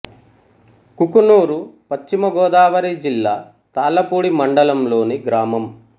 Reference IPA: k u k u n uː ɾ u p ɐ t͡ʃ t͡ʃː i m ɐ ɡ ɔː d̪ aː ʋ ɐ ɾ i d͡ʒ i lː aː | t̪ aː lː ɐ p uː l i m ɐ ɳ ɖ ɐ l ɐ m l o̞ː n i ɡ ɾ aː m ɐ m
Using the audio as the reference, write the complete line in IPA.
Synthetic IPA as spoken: k u k u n uː ɾ u p ɐ t͡ʃ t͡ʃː i m ɐ ɡ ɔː d̪ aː ʋ ɐ ɾ i d͡ʒ i lː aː | t̪ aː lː ɐ p uː ɽ i m ɐ ɳ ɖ ɐ l ɐ m l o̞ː n i ɡ ɾ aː m ɐ m